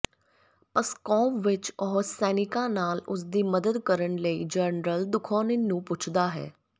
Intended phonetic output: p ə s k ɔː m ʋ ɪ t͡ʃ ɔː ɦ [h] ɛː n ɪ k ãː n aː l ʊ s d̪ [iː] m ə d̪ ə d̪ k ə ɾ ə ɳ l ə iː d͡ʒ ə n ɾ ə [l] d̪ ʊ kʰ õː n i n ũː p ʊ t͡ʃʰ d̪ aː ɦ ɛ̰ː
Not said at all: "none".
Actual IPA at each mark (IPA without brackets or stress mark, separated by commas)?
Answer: s, iː, l